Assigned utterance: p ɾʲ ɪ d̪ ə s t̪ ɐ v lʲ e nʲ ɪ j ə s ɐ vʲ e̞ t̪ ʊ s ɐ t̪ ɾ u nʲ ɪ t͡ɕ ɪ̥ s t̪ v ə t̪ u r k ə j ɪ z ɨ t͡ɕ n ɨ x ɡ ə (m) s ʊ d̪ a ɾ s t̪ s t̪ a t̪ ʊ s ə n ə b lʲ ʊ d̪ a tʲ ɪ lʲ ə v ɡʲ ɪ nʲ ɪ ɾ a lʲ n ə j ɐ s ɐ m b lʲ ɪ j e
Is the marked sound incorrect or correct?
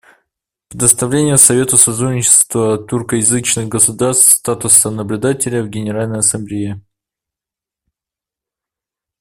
incorrect